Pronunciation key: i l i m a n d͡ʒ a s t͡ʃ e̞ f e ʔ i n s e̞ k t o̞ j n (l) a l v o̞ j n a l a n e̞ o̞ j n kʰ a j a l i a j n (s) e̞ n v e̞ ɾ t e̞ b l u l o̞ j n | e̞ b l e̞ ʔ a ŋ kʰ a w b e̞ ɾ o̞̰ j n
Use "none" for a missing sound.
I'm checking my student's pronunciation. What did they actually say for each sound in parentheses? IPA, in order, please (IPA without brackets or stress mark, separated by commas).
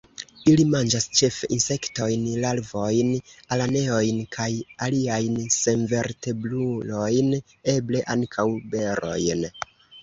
l, s